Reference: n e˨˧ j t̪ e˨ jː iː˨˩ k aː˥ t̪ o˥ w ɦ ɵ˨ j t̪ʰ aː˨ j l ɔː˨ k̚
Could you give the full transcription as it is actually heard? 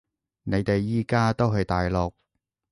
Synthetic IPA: n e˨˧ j t̪ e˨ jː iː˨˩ k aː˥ t̪ o˥ w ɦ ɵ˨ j t̪ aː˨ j l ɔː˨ k̚